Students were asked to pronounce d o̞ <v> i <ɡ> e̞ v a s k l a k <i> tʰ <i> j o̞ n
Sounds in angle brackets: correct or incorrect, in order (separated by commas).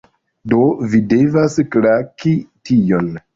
correct, incorrect, correct, correct